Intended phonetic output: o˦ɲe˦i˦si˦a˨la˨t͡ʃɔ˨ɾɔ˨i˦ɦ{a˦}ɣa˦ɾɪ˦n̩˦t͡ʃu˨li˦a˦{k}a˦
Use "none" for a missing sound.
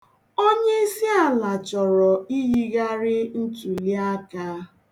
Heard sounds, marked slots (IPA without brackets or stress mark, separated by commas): i˦, k